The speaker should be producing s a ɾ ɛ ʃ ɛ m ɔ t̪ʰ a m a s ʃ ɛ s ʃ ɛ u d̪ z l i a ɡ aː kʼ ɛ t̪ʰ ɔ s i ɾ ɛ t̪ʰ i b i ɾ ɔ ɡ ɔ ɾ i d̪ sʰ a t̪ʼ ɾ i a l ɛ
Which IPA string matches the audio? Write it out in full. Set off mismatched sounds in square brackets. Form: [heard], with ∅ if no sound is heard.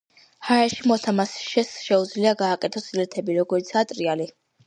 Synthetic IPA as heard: [h] a ɾ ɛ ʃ [i] m ɔ t̪ʰ a m a s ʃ ɛ s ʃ ɛ u d̪ z l i a ɡ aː kʼ ɛ t̪ʰ ɔ s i [l] ɛ t̪ʰ [ɛ] b i ɾ ɔ ɡ ɔ ɾ i [t̪] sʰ a t̪ʼ ɾ i a l [i]